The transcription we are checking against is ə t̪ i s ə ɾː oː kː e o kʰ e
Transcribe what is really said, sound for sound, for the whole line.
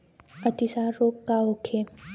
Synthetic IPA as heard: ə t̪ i s a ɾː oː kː a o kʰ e